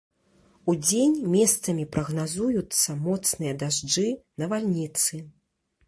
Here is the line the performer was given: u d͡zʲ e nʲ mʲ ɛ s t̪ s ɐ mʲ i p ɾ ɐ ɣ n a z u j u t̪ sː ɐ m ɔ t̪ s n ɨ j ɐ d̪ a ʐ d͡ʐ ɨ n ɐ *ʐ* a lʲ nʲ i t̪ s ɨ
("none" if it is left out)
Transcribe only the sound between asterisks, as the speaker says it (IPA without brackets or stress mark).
v